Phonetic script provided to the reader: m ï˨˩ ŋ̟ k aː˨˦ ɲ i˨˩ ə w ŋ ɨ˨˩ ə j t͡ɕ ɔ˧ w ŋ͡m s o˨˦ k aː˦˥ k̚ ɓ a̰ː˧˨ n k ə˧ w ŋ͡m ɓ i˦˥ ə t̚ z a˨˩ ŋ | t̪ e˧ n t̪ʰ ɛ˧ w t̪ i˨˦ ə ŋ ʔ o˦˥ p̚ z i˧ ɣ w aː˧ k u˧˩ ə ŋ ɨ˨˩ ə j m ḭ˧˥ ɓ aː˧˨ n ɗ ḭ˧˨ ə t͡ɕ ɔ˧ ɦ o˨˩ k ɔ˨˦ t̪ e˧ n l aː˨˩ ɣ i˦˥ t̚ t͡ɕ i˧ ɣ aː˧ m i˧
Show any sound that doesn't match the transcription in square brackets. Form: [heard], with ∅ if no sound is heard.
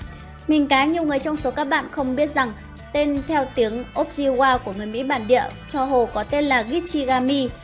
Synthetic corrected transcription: m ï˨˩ ŋ̟ k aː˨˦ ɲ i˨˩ ə w ŋ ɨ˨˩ ə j t͡ɕ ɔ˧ w ŋ͡m s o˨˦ k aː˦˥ k̚ ɓ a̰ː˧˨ n [x] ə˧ w ŋ͡m ɓ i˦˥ ə t̚ z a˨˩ ŋ | t̪ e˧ n t̪ʰ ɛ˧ w t̪ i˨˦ ə ŋ ʔ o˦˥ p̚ z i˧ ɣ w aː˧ k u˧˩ ə ŋ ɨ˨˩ ə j m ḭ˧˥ ɓ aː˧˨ n ɗ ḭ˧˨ ə t͡ɕ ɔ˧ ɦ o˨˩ k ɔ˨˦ t̪ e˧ n l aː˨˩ ɣ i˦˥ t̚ t͡ɕ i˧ ɣ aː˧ m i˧